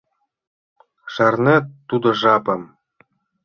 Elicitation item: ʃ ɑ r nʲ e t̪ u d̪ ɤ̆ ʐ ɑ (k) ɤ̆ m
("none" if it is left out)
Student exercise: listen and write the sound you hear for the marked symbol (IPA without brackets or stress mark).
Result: p